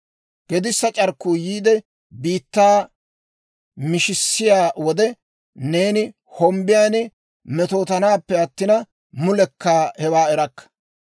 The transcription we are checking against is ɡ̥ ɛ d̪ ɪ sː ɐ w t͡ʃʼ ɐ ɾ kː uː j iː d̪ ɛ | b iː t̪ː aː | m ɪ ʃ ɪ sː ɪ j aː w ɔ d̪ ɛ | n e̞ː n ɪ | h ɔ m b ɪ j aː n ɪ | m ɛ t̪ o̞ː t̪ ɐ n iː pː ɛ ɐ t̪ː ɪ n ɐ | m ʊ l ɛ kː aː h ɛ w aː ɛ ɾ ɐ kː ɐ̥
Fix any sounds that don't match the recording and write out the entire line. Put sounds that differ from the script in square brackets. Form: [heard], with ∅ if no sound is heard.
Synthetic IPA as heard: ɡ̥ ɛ d̪ ɪ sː ɐ [∅] t͡ʃʼ ɐ ɾ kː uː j iː d̪ ɛ | b iː t̪ː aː | m ɪ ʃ ɪ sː ɪ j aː w ɔ d̪ ɛ | n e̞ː n ɪ | h ɔ m b ɪ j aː n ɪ | m ɛ t̪ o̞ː t̪ ɐ n [aː] pː ɛ ɐ t̪ː ɪ n ɐ | m ʊ l ɛ kː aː h ɛ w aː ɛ ɾ ɐ kː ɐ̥